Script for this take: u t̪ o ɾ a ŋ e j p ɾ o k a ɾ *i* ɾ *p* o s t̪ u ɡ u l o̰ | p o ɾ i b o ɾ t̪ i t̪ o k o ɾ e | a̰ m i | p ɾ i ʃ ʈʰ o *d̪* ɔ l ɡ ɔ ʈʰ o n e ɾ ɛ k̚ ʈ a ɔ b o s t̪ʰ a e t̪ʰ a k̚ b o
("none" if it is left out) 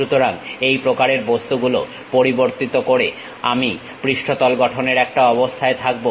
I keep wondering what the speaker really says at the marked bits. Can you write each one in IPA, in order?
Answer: e, b, t̪

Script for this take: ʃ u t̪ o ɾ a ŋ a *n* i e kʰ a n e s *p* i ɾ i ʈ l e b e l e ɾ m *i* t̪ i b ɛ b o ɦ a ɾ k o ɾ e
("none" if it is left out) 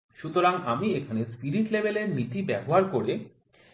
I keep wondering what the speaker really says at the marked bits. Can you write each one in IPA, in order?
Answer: m, p, i

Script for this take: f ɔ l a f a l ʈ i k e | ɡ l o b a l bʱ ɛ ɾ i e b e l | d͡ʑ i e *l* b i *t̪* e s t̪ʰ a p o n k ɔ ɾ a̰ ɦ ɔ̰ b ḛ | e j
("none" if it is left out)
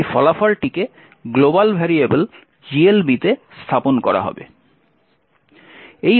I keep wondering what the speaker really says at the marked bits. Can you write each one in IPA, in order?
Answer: l, t̪

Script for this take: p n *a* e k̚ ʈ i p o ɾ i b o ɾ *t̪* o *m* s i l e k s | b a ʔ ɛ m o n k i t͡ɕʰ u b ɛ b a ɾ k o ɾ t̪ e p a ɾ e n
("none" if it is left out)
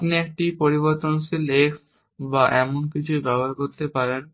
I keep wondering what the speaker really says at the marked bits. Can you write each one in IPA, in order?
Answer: i, t̪, n

